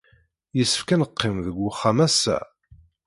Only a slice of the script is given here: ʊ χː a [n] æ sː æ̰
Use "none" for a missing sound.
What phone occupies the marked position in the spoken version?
m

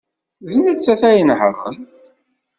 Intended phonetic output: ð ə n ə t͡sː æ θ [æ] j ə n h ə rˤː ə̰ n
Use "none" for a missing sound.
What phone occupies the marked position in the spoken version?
æ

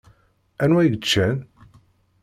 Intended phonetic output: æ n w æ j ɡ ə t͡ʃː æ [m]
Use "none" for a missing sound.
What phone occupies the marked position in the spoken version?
n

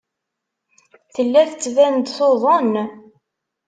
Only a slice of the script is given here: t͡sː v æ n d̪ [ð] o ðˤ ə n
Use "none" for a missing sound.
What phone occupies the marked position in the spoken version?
θ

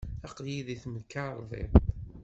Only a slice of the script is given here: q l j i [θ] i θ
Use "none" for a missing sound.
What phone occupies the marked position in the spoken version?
ð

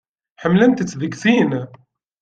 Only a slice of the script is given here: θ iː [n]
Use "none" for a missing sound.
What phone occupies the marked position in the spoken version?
n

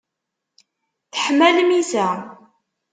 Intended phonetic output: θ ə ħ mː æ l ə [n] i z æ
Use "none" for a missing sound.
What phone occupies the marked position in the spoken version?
m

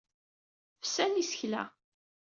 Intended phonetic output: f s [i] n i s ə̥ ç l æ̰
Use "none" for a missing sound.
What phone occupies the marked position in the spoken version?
æ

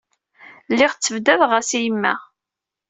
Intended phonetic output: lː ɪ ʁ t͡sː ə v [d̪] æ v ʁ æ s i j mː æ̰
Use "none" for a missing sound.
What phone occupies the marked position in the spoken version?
d̪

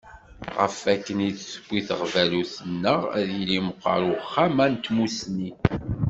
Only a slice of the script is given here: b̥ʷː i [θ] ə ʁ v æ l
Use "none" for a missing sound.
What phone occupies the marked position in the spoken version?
θ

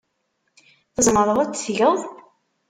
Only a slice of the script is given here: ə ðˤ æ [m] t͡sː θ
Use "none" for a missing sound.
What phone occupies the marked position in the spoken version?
none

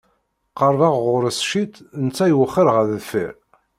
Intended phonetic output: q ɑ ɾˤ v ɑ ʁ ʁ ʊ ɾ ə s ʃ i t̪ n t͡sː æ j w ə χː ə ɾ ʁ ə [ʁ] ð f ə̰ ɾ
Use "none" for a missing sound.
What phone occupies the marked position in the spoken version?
ð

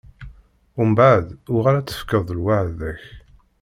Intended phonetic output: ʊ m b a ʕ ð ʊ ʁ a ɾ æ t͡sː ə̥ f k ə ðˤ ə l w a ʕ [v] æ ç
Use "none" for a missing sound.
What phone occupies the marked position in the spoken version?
ð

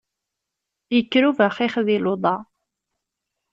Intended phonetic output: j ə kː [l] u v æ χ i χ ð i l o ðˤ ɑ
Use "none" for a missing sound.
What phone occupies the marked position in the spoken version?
ɾ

